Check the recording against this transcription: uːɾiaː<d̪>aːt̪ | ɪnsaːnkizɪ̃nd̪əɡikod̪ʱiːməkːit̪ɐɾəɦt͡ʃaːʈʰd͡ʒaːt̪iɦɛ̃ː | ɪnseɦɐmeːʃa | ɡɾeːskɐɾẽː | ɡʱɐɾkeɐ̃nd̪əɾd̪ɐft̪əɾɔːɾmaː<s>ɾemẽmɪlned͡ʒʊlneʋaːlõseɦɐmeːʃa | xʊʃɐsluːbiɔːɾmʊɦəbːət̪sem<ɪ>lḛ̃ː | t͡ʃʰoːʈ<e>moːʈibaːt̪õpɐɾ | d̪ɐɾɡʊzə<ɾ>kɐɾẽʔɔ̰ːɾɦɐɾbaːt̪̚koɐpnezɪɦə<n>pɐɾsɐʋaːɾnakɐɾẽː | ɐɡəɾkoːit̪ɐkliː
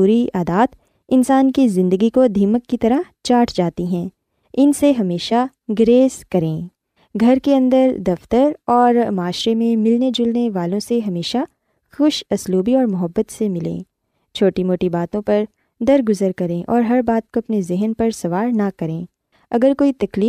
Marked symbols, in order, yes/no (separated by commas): yes, no, yes, no, yes, yes